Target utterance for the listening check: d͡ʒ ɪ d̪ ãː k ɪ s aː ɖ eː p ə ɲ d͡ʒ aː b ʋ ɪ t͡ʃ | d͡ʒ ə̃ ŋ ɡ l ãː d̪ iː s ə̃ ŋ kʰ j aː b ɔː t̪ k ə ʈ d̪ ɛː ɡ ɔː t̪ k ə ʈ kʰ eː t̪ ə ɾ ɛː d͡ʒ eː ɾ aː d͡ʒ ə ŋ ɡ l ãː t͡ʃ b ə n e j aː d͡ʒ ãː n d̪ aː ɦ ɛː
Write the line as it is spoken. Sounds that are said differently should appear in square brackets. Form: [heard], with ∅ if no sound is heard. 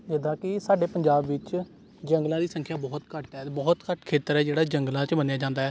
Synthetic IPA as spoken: d͡ʒ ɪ d̪ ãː k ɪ s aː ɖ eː p ə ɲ d͡ʒ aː b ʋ ɪ t͡ʃ | d͡ʒ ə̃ ŋ ɡ l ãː d̪ iː s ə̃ ŋ kʰ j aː b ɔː t̪ k ə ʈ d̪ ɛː [b] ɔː t̪ k ə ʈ kʰ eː t̪ ə ɾ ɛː d͡ʒ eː [ɽ] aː d͡ʒ ə ŋ ɡ l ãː t͡ʃ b ə n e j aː d͡ʒ ãː n d̪ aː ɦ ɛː

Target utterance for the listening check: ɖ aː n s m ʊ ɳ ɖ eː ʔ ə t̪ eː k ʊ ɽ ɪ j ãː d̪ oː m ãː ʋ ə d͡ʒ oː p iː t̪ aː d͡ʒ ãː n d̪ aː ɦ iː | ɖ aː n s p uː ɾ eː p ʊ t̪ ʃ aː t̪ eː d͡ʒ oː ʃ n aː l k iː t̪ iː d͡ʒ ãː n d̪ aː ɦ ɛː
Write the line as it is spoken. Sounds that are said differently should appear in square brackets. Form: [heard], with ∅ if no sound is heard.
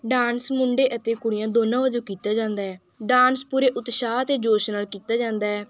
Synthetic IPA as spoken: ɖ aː n s m ʊ ɳ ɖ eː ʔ ə t̪ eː k ʊ ɽ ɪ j ãː d̪ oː [n] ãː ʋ ə d͡ʒ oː [k] iː t̪ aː d͡ʒ ãː n d̪ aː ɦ [ɛː] | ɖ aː n s p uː ɾ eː [ʔ] ʊ t̪ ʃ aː t̪ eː d͡ʒ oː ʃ n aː l k iː t̪ [aː] d͡ʒ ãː n d̪ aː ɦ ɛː

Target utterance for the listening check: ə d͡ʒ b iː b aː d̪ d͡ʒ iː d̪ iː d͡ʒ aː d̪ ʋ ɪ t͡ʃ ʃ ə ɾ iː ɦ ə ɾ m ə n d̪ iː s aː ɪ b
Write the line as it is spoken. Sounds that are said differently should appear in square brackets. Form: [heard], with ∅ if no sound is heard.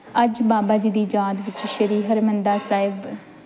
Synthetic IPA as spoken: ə d͡ʒ b [aː] b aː [∅] d͡ʒ iː d̪ iː d͡ʒ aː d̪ ʋ ɪ t͡ʃ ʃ ə ɾ iː ɦ ə ɾ m ə n d̪ [aː] s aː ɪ b

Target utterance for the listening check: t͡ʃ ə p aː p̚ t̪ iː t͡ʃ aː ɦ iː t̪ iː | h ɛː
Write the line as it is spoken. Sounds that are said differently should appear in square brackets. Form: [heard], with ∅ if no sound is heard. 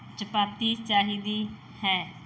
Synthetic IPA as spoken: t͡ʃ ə p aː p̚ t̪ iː t͡ʃ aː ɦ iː [d̪] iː | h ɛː

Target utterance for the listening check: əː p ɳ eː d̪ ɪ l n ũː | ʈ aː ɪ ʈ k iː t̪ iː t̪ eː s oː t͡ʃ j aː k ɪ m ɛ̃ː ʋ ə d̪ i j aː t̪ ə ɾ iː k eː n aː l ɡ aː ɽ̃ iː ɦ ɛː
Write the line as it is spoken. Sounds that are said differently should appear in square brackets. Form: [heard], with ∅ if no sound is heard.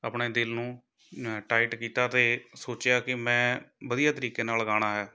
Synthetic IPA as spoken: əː p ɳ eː d̪ ɪ l n ũː | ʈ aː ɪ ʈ k iː t̪ [aː] t̪ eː s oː t͡ʃ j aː k ɪ m ɛ̃ː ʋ ə d̪ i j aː t̪ ə ɾ iː k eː n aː l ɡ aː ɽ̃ [aː] ɦ ɛː

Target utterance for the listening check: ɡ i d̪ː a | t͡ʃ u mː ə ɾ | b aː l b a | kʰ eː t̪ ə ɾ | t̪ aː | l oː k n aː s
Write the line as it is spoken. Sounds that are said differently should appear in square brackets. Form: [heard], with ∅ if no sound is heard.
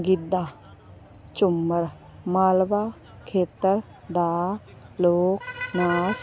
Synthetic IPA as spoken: ɡ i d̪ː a | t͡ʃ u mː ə ɾ | [m] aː l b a | kʰ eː t̪ ə ɾ | [d̪] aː | l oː k n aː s

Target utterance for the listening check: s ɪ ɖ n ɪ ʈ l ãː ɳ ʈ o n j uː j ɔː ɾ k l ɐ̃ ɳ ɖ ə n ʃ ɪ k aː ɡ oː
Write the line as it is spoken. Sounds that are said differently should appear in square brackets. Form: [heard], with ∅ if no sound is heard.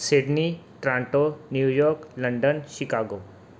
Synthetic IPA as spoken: s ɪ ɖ n [i] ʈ [ɾ] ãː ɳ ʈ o n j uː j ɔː ɾ k l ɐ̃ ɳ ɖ ə n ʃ ɪ k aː ɡ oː

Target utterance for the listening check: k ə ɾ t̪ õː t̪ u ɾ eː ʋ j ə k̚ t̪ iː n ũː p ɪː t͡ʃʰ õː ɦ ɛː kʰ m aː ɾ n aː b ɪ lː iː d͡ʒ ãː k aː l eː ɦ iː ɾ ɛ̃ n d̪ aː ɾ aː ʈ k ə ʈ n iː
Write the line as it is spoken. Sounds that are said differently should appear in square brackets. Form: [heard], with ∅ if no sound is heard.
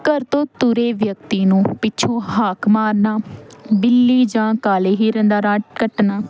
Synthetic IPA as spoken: k ə ɾ t̪ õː t̪ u ɾ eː ʋ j ə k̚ t̪ iː n ũː p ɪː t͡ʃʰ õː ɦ [aː] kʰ m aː ɾ n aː b ɪ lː iː d͡ʒ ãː k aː l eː ɦ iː ɾ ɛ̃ n d̪ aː ɾ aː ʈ k ə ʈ n [aː]

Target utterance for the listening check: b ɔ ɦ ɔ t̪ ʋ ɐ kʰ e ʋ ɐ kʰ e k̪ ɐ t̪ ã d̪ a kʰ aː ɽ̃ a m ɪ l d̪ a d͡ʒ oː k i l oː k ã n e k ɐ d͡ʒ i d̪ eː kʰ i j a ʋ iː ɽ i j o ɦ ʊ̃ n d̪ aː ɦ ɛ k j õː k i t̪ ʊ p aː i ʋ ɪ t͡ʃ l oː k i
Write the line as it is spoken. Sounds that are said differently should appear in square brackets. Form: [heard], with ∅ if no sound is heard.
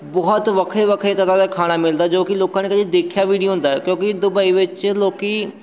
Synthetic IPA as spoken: b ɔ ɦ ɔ t̪ ʋ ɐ kʰ e ʋ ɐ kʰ e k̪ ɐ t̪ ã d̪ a kʰ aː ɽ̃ a m ɪ l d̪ a d͡ʒ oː k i l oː k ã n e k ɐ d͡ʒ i d̪ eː kʰ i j a ʋ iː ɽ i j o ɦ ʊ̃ n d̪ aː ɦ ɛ k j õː k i [d̪] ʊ [b] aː i ʋ ɪ t͡ʃ l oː k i

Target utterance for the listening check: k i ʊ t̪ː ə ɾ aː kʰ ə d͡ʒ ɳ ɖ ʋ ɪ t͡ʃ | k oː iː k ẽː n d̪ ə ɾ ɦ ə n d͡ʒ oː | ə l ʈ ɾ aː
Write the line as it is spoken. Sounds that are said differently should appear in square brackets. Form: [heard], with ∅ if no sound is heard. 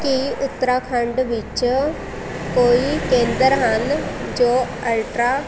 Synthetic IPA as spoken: k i ʊ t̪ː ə ɾ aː kʰ ə [∅] ɳ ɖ ʋ ɪ t͡ʃ | k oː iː k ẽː n d̪ ə ɾ ɦ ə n d͡ʒ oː | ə l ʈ ɾ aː

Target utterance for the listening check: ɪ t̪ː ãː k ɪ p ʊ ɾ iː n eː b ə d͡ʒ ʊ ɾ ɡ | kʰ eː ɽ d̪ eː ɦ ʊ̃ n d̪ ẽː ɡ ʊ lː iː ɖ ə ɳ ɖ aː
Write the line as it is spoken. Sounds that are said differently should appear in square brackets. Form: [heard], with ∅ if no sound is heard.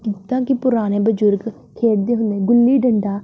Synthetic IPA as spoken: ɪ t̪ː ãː k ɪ p ʊ ɾ [aː] n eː b ə d͡ʒ ʊ ɾ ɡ | kʰ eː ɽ d̪ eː ɦ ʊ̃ n d̪ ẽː ɡ ʊ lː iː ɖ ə ɳ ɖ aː

